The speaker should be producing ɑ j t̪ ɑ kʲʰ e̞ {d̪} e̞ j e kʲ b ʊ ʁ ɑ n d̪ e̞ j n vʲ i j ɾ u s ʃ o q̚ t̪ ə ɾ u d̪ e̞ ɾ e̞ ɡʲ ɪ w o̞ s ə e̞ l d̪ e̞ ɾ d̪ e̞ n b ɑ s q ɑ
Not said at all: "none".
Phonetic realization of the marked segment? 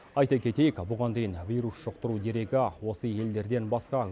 t̪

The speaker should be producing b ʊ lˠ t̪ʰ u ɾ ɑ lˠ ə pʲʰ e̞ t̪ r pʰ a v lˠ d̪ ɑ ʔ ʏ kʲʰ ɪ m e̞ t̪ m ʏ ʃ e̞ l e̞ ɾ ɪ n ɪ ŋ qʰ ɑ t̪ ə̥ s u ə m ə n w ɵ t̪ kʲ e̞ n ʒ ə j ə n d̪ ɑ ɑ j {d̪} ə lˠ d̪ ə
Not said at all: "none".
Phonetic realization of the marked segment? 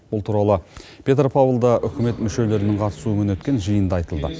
t̪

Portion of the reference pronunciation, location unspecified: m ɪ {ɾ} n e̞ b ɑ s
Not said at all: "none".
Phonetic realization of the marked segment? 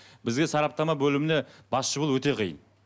none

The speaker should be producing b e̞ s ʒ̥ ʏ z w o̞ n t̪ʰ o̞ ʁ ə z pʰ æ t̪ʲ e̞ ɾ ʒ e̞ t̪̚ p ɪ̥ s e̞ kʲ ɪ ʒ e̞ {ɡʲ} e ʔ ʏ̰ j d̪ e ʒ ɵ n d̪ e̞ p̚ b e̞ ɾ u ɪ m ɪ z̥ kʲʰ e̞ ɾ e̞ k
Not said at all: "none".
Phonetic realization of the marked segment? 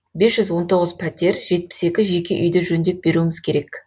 kʲ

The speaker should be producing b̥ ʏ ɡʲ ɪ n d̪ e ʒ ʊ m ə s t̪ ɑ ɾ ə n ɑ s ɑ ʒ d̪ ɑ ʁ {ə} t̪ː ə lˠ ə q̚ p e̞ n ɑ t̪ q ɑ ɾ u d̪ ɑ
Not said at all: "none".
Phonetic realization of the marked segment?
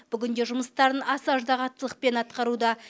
ɑ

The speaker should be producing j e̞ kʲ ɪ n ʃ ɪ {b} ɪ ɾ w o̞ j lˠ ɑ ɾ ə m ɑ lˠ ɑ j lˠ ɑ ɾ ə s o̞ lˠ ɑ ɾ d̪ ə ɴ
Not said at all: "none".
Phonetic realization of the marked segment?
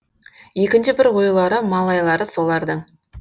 b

